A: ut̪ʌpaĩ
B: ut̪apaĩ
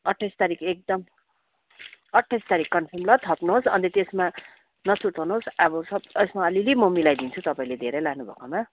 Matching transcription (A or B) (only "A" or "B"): A